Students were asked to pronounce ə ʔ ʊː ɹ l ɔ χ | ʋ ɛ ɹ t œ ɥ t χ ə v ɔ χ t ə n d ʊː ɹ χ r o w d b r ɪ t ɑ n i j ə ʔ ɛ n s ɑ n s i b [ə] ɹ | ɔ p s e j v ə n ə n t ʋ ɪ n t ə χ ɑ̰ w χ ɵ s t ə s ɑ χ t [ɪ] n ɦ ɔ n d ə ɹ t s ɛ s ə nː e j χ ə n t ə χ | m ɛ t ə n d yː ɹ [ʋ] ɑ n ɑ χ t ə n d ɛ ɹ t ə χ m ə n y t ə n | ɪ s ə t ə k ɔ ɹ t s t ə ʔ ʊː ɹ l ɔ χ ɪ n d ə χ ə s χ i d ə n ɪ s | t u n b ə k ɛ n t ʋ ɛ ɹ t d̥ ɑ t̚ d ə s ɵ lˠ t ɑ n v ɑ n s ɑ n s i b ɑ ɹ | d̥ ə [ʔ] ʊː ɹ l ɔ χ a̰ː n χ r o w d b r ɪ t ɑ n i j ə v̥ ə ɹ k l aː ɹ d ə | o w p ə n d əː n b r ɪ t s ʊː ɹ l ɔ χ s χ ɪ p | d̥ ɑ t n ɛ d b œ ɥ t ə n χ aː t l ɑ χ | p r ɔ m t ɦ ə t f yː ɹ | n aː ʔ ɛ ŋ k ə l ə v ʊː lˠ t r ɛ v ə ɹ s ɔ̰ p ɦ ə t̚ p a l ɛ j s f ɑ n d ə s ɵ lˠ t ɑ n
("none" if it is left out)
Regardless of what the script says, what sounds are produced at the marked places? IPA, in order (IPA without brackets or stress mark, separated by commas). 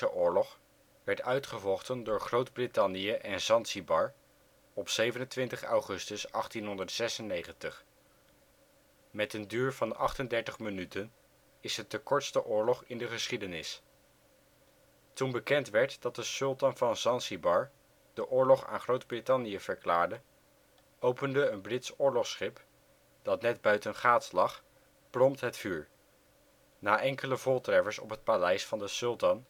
ɑ, i, v, ʔ